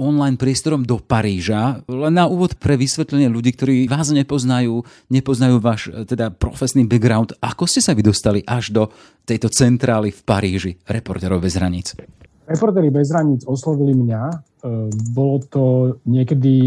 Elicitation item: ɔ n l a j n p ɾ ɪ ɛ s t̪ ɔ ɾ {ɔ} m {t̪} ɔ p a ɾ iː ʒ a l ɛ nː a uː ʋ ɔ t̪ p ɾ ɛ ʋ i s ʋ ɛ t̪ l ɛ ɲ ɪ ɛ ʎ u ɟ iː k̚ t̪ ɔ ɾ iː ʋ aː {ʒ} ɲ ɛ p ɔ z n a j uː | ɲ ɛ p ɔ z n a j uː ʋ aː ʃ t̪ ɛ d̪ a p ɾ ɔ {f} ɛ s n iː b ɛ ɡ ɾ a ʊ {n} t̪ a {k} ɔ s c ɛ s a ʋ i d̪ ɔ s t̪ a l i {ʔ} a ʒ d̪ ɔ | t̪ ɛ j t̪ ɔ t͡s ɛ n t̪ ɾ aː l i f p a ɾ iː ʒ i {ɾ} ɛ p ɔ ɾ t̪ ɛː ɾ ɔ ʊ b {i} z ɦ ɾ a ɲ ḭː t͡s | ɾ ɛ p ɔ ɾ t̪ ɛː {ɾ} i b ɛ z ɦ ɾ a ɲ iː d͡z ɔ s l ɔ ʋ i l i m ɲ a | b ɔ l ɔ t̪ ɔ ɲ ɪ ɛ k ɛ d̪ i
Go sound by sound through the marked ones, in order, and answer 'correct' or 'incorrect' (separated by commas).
correct, incorrect, incorrect, correct, correct, correct, correct, correct, incorrect, correct